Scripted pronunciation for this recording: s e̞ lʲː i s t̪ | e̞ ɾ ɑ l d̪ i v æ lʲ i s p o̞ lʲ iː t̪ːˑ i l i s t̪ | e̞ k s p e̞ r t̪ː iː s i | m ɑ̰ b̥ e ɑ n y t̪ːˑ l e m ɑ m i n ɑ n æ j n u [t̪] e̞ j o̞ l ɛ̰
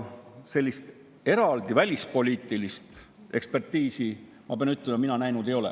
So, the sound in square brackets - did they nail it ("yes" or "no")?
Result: no